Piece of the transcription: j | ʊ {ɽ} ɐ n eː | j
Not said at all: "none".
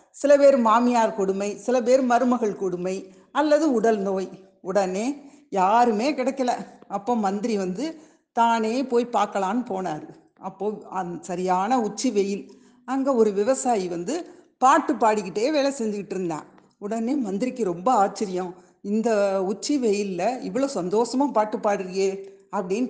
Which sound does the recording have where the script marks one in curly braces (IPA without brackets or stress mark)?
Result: ɽ